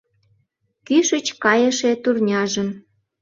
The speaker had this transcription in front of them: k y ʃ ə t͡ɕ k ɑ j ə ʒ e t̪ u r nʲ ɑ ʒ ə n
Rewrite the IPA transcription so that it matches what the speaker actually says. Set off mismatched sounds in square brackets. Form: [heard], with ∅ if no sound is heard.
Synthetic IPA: k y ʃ ə t͡ɕ k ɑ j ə [ʃ] e t̪ u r nʲ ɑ ʒ ə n